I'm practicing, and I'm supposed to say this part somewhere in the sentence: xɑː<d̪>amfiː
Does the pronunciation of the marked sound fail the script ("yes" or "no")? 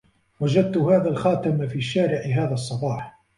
yes